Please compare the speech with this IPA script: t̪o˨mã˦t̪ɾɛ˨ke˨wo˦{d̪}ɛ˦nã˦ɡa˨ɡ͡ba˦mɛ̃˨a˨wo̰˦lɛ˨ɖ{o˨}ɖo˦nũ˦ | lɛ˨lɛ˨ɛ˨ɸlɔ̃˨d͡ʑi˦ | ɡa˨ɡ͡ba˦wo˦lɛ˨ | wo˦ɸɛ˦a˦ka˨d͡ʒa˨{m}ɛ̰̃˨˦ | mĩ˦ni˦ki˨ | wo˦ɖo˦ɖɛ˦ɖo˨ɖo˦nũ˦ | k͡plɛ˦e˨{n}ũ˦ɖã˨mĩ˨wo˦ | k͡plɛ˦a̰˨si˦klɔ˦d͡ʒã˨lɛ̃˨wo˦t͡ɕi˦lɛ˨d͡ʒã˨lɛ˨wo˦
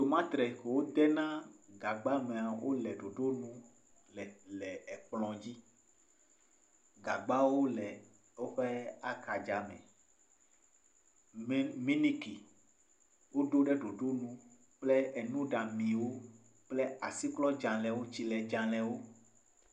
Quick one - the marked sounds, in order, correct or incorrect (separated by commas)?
correct, correct, correct, correct